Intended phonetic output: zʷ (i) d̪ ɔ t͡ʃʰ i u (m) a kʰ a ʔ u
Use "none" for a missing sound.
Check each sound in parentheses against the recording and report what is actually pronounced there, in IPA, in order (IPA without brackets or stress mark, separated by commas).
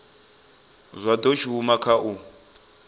a, m